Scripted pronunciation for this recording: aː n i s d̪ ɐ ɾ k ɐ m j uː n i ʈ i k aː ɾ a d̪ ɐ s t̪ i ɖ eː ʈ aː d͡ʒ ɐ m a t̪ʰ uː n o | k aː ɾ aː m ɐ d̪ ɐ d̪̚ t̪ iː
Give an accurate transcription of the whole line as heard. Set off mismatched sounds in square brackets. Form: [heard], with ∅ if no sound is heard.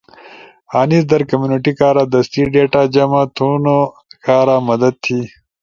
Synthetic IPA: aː n i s d̪ ɐ ɾ k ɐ m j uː n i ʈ i k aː ɾ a d̪ ɐ s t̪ i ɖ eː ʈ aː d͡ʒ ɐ m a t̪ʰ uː n o | k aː ɾ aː m ɐ d̪ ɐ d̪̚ [t̪ʰ] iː